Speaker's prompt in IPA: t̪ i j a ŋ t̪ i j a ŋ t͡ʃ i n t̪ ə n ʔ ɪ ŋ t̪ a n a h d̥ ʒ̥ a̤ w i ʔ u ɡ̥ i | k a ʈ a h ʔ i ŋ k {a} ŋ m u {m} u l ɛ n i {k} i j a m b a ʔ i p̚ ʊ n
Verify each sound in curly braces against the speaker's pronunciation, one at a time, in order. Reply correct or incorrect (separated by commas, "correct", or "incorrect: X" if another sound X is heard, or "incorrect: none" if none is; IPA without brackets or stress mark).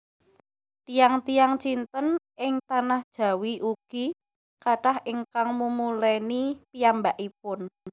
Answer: correct, correct, incorrect: p